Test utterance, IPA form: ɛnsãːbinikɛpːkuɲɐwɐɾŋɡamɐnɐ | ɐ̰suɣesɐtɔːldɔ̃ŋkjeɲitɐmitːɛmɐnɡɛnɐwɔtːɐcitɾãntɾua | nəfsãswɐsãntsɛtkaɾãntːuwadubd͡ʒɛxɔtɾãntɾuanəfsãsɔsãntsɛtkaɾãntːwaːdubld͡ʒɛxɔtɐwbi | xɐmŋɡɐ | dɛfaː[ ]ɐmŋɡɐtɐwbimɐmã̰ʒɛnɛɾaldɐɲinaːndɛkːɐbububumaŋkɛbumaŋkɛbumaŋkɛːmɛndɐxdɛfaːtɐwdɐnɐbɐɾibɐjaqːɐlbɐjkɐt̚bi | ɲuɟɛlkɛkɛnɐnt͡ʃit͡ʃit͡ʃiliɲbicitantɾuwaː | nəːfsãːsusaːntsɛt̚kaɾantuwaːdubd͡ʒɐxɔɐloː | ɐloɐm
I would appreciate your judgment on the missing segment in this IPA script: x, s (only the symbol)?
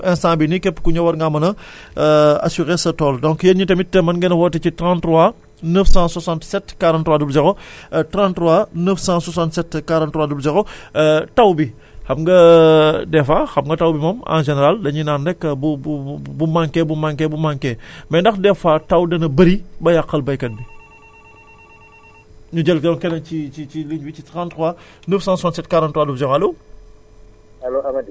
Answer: x